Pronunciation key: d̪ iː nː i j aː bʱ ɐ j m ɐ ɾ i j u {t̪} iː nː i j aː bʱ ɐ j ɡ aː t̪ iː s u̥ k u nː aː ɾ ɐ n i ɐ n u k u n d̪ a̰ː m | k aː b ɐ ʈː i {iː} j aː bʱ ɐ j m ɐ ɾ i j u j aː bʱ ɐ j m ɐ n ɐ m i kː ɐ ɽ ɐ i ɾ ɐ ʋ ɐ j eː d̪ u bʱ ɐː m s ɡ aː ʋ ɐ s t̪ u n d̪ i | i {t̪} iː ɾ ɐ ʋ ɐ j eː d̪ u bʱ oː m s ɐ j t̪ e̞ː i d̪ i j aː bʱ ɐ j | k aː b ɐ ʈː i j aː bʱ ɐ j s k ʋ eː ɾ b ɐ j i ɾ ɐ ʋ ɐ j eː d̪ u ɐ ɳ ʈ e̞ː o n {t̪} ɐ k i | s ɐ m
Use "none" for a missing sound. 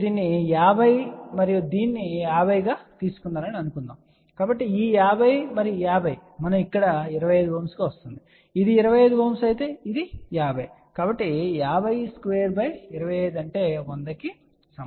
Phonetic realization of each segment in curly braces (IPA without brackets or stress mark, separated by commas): d̪, iː, d̪, d̪